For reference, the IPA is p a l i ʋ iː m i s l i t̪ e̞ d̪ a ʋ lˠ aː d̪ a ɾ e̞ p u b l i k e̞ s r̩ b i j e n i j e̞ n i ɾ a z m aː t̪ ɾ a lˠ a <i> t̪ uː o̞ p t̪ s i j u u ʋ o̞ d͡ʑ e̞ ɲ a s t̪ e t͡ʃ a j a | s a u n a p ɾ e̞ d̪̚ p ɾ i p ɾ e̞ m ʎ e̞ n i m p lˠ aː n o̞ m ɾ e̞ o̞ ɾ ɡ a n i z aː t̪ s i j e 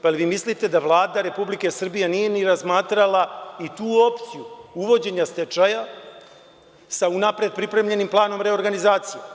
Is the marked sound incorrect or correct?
correct